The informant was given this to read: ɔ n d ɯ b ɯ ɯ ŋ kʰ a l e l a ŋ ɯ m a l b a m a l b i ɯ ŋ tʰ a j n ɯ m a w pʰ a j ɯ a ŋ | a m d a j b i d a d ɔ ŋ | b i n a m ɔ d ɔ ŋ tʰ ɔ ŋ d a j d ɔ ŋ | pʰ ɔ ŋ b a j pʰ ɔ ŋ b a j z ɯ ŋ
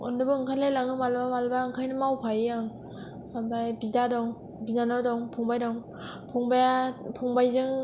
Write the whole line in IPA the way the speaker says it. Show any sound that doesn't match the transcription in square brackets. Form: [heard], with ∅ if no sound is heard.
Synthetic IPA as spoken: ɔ n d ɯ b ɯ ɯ ŋ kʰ a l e l a ŋ ɯ m a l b a m a l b [a] ɯ ŋ [kʰ] a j n ɯ m a w pʰ a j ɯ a ŋ | a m [b] a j b i d a d ɔ ŋ | b i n a [n] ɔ d ɔ ŋ [pʰ] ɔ ŋ [b] a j d ɔ ŋ | pʰ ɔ ŋ b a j pʰ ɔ ŋ b a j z ɯ ŋ